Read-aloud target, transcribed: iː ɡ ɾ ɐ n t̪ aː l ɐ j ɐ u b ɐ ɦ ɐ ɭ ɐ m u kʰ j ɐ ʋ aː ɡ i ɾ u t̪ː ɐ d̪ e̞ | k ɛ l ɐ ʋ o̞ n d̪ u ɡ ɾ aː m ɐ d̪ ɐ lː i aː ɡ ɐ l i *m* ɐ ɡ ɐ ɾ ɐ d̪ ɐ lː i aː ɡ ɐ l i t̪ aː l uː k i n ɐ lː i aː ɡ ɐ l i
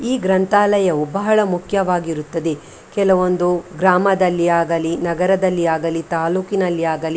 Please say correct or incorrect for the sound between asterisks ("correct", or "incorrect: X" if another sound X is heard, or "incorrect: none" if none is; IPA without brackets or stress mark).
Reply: incorrect: n